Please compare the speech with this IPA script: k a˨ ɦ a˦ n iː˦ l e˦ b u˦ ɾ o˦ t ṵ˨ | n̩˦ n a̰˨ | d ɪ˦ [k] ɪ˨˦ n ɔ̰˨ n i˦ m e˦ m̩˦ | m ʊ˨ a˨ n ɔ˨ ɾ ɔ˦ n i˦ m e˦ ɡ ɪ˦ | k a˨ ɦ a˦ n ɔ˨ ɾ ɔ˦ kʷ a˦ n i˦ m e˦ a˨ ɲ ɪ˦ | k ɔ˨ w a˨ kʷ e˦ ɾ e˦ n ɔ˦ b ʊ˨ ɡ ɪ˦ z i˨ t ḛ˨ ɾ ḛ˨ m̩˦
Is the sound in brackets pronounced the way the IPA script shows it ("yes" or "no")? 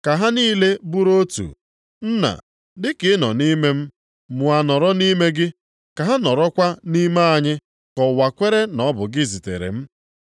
yes